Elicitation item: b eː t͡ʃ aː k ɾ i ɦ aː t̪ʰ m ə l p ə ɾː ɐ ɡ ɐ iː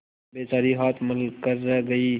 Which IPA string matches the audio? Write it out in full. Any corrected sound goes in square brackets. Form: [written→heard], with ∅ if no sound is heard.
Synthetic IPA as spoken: b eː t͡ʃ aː [k→∅] ɾ i ɦ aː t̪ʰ m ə l [p→k] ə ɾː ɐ ɡ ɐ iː